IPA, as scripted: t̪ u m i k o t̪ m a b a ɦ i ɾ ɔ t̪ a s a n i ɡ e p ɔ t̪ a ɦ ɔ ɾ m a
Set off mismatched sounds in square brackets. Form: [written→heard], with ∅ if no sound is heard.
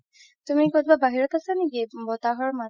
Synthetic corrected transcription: t̪ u m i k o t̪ [m→b] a b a ɦ i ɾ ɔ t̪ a s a n i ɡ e [p→b] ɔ t̪ a ɦ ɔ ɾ m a